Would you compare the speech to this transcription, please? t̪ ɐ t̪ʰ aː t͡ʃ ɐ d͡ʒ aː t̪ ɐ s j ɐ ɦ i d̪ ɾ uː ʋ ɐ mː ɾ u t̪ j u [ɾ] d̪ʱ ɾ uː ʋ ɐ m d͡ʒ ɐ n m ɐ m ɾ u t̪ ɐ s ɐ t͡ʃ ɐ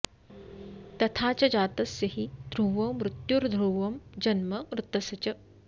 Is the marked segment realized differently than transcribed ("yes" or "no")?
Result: no